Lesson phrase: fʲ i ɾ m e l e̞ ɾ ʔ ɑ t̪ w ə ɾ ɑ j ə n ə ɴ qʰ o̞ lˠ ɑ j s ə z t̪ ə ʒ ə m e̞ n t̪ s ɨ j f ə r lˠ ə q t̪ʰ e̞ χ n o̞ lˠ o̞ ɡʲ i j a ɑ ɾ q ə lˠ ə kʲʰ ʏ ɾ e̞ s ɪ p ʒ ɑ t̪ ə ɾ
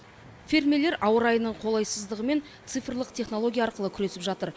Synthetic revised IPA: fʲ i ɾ m e l e̞ ɾ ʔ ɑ w ə ɾ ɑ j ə n ə ɴ qʰ o̞ lˠ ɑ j s ə z d̪ ə ʁ ə m e̞ n t̪ s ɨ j f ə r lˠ ə q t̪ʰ e̞ χ n o̞ lˠ o̞ ɡʲ i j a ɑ ɾ q ə lˠ ə kʲʰ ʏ ɾ e̞ s ɪ p ʒ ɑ t̪ ə ɾ